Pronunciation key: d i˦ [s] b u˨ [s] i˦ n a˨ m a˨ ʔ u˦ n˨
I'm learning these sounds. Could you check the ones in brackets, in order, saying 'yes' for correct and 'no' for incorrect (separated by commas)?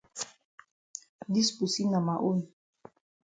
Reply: yes, yes